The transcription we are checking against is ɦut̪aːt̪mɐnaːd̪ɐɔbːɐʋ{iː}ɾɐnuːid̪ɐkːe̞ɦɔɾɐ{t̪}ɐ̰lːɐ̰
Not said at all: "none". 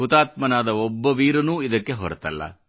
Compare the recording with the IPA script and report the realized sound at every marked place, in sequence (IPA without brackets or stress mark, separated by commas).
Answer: iː, t̪